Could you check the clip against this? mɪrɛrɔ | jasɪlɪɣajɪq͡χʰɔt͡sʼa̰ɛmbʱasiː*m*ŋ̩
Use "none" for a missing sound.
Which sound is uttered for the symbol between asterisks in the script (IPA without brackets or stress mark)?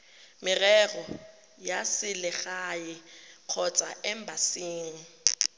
ŋ